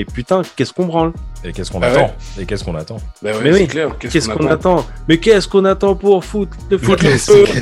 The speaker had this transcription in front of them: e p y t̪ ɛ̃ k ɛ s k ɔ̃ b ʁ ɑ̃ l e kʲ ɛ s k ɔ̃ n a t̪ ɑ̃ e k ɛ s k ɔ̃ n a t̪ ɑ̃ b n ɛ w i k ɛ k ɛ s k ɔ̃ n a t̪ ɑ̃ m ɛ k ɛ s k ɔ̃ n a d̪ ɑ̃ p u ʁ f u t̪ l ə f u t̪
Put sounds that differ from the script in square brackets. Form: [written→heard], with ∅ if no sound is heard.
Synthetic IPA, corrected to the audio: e p y t̪ ɛ̃ k ɛ s k ɔ̃ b ʁ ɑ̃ l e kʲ ɛ s k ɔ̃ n a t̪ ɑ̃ e k ɛ s k ɔ̃ n a t̪ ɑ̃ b [n→m] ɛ w i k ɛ k ɛ s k ɔ̃ n a t̪ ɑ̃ m ɛ k ɛ s k ɔ̃ n a [d̪→t̪] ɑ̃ p u ʁ f u t̪ l ə f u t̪